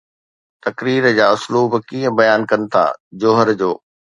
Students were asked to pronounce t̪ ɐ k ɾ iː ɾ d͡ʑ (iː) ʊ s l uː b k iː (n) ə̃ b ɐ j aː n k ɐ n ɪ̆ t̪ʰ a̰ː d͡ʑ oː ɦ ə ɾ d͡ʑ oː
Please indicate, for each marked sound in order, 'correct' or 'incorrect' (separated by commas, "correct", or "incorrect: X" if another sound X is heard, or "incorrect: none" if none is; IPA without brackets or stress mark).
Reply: incorrect: aː, incorrect: none